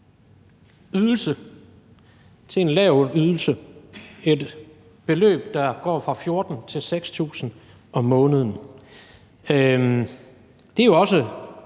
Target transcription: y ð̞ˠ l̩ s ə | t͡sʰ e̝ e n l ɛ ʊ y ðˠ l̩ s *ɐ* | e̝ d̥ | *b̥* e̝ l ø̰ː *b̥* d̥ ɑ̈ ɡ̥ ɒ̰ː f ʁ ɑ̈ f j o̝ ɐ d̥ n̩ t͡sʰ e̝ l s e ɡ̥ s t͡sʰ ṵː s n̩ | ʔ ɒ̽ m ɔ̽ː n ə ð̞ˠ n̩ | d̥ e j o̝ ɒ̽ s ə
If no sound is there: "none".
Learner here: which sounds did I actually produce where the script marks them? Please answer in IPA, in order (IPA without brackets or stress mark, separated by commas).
ə, b̥, b̥